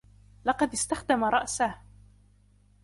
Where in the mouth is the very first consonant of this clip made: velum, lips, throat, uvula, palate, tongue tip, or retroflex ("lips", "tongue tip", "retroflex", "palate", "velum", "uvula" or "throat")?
tongue tip